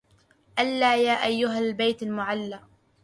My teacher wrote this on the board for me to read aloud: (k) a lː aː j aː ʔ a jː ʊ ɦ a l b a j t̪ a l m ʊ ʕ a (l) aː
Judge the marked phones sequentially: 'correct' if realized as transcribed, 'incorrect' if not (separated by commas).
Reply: incorrect, incorrect